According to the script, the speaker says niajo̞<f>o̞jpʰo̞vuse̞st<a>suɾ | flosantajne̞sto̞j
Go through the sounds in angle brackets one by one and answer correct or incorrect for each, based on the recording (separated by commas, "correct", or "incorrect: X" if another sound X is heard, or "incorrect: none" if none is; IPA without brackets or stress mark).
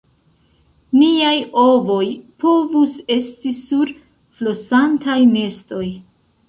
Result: incorrect: v, incorrect: i